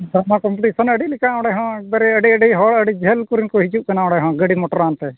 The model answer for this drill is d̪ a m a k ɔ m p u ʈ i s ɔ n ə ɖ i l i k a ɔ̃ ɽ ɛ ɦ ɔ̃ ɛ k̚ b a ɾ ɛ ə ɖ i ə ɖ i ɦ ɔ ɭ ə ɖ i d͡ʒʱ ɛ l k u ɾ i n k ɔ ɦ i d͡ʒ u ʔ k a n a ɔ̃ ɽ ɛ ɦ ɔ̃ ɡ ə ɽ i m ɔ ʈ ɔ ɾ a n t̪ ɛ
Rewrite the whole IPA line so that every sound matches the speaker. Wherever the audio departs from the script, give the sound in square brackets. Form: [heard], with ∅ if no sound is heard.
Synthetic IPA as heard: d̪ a m a k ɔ m p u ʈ i s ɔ n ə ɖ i l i k a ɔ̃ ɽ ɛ ɦ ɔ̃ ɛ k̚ b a ɾ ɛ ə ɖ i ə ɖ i ɦ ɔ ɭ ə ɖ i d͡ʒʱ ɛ l k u ɾ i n k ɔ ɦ i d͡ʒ u ʔ k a n a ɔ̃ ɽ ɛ ɦ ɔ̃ ɡ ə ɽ i m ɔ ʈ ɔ ɾ a n t̪ ɛ